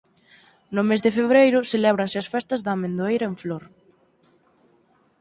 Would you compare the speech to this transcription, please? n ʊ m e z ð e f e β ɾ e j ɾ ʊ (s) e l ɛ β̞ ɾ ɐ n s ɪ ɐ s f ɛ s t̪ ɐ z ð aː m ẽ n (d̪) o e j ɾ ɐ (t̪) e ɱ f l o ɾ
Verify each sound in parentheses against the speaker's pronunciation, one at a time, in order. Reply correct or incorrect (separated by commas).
correct, correct, incorrect